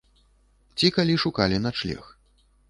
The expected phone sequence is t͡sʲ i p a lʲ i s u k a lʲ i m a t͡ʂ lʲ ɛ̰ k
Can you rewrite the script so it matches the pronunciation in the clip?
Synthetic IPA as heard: t͡sʲ i k a lʲ i ʂ u k a lʲ i n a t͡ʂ lʲ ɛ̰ x